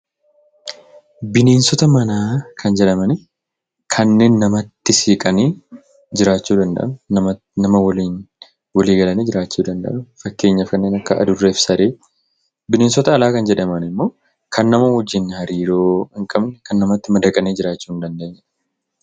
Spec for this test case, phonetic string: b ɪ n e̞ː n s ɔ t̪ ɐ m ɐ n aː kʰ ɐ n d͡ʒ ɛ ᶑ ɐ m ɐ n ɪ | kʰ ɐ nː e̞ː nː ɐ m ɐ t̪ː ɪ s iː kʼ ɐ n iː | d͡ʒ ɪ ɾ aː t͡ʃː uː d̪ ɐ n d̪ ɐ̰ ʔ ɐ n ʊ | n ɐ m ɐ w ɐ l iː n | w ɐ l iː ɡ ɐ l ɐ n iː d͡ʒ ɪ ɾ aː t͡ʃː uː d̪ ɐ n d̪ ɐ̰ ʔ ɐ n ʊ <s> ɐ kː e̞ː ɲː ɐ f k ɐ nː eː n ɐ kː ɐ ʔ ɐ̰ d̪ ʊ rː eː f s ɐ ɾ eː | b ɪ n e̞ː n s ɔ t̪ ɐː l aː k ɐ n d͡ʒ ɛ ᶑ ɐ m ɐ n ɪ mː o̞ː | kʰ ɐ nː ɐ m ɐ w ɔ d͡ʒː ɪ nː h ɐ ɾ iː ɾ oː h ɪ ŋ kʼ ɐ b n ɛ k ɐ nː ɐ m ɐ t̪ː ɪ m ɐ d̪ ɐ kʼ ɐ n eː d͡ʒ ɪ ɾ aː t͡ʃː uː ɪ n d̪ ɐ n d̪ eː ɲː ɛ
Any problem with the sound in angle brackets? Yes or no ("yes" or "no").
yes